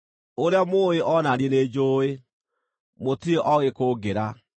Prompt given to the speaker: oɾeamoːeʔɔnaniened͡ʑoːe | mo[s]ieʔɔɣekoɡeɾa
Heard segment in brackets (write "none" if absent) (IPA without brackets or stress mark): t